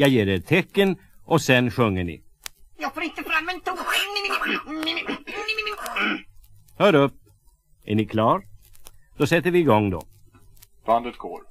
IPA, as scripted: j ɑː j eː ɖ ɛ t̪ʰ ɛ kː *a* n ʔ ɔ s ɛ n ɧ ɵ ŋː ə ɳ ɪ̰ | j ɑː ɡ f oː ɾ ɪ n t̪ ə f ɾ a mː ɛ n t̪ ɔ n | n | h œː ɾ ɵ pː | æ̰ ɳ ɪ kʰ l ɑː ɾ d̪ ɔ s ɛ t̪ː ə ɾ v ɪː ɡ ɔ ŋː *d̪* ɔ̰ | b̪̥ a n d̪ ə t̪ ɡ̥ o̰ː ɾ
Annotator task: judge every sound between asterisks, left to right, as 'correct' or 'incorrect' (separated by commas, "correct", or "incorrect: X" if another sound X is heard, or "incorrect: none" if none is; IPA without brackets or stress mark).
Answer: incorrect: ə, correct